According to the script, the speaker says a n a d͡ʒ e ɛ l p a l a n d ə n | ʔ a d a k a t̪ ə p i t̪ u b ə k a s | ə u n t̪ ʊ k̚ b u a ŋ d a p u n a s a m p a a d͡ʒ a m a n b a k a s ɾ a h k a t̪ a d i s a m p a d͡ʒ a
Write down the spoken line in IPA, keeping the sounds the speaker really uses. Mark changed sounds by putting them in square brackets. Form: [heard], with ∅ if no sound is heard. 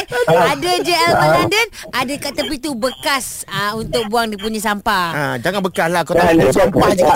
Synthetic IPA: a [d] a d͡ʒ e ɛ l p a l a n d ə n | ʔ a d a k a t̪ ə p i t̪ u b ə k a s | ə u n t̪ ʊ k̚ b u a ŋ d [i] p u [ɲ] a s a m p a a d͡ʒ a [ŋ] a n b [ə] k a s [l] a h k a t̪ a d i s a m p a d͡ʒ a